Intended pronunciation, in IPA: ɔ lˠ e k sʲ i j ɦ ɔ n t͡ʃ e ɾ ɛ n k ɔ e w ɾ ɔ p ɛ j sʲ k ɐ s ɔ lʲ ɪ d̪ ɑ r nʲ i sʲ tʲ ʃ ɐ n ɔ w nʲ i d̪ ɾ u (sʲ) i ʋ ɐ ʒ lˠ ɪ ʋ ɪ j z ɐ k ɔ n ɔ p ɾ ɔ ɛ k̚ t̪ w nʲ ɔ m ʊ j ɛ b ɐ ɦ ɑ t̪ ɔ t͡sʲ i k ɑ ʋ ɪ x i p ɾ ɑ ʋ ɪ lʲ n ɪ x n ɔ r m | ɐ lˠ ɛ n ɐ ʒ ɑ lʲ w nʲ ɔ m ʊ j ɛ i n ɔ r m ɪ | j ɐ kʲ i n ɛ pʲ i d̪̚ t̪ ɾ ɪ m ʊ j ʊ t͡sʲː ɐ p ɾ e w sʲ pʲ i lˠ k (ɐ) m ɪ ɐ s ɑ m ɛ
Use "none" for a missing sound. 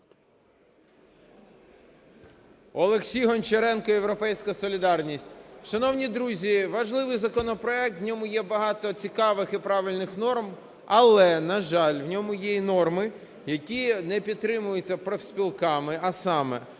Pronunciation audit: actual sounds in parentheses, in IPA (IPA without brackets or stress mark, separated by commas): zʲ, ɑ